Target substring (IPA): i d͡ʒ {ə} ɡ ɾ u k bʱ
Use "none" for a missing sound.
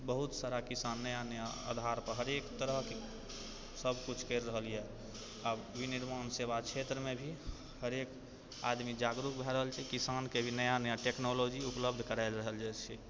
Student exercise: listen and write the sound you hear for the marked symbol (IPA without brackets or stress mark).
a